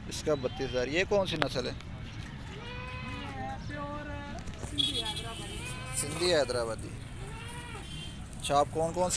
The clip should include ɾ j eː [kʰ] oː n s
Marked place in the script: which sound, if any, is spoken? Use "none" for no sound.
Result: k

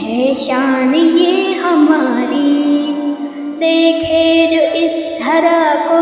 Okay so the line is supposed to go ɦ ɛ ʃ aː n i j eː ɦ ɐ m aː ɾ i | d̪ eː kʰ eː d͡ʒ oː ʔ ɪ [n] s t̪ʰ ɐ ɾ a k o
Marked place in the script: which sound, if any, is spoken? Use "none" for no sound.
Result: none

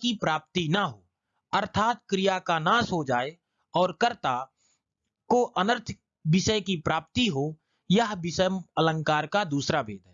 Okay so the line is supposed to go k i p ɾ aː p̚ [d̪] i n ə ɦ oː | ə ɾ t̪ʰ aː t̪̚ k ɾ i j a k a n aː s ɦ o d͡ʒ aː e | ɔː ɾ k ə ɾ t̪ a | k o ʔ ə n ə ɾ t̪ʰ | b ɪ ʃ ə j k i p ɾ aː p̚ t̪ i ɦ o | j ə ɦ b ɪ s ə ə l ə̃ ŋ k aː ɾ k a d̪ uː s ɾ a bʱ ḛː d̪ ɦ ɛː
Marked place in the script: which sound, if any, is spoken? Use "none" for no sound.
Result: t̪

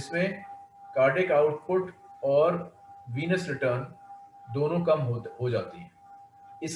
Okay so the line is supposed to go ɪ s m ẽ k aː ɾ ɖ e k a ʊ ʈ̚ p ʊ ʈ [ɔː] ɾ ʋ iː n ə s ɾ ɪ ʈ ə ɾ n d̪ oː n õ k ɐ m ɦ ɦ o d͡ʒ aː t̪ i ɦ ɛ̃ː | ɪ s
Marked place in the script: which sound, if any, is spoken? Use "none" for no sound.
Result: ɔː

